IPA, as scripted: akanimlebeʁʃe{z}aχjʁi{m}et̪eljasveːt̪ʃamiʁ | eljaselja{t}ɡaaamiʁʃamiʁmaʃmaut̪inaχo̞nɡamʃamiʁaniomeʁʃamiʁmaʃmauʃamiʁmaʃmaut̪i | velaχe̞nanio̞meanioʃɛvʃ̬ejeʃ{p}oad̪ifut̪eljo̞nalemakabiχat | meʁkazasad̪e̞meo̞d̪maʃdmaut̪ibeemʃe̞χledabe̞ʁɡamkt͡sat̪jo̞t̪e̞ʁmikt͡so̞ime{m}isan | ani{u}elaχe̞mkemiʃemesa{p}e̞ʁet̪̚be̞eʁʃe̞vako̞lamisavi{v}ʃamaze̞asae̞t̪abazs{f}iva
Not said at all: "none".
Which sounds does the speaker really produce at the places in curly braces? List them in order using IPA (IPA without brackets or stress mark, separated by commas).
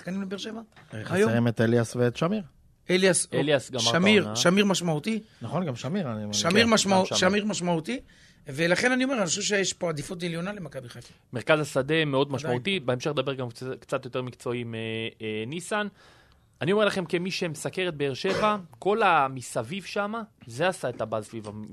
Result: v, m, s, p, n, o, k, v, v